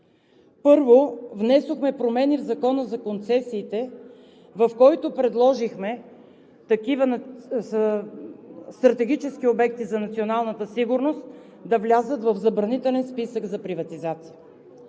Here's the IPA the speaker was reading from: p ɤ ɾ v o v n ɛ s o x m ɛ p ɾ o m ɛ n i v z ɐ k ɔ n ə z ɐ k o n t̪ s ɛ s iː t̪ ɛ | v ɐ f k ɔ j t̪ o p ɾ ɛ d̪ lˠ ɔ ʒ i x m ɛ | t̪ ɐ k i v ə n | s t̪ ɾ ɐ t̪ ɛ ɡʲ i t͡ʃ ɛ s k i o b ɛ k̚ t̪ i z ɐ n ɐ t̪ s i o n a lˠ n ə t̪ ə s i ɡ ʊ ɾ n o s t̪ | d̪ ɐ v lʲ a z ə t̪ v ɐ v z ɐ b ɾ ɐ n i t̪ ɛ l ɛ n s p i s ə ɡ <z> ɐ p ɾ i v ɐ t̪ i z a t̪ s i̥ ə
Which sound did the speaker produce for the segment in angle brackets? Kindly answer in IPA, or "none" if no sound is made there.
z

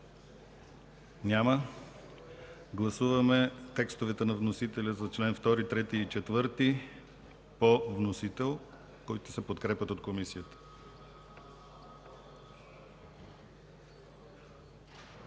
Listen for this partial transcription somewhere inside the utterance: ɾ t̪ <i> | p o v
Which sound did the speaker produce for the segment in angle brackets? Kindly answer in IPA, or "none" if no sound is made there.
i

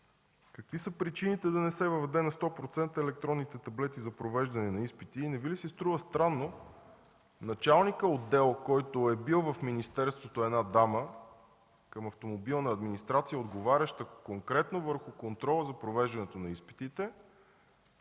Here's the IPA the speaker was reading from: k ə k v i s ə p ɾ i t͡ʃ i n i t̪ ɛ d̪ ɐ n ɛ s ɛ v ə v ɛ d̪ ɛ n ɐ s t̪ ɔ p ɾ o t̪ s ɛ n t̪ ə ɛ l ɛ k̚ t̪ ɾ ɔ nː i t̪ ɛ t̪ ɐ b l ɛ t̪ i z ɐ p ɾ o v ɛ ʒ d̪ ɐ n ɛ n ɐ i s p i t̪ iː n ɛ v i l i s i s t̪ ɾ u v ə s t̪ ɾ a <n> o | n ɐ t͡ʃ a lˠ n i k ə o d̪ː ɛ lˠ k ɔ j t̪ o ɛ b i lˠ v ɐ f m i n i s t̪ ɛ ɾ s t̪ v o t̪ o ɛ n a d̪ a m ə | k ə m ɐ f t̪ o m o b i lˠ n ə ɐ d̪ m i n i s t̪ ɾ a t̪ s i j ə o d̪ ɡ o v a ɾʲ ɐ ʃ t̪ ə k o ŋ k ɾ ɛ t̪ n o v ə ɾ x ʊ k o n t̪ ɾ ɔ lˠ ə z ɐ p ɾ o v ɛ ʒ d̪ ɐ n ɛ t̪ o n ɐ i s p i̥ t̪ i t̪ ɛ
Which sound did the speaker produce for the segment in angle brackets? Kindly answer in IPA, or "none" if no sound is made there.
nː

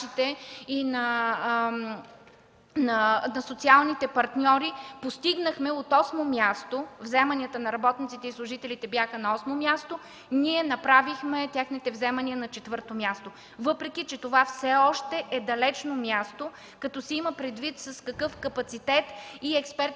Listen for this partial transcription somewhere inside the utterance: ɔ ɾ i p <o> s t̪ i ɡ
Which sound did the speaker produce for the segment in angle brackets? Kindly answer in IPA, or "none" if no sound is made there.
o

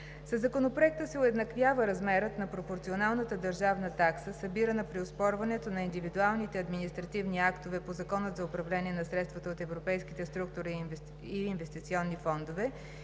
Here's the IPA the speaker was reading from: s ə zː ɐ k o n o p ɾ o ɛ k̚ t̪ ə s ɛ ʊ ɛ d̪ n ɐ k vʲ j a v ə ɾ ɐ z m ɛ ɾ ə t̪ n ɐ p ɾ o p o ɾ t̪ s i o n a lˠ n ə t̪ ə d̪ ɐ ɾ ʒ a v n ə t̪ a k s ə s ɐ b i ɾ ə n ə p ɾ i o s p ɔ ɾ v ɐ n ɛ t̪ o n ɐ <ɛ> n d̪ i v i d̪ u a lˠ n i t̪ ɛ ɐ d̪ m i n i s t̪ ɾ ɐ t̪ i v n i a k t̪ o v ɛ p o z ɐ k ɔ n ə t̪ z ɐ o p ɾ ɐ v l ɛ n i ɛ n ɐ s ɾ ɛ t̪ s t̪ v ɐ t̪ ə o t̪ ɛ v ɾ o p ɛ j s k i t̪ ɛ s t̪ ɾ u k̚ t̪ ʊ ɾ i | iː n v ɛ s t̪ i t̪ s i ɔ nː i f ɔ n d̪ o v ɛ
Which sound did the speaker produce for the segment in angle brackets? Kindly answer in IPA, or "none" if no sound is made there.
i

